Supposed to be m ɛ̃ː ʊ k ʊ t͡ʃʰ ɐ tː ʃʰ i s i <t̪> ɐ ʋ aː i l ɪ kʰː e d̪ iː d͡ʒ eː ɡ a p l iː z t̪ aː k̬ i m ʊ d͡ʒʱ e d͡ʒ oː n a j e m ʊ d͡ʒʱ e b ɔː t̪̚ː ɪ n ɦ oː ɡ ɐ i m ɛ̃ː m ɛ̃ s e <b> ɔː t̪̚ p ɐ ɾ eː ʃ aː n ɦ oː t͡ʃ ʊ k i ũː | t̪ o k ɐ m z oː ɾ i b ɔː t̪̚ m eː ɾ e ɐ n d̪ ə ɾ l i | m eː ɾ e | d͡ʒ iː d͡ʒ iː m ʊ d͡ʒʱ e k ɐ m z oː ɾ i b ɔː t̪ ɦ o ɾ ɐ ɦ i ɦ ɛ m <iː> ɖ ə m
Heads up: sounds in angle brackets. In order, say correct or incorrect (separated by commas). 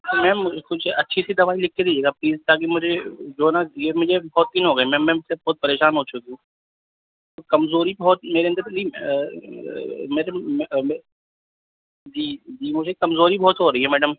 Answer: incorrect, correct, incorrect